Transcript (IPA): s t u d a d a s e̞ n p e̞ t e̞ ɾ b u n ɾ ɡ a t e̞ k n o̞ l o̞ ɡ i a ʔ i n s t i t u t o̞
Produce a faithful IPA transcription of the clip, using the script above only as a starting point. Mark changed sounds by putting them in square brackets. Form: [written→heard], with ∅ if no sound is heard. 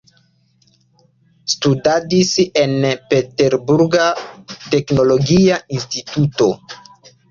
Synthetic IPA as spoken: s t u d a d [a→i] s e̞ n p e̞ t e̞ ɾ b u [n→∅] ɾ ɡ a t e̞ k n o̞ l o̞ ɡ i a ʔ i n s t i t u t o̞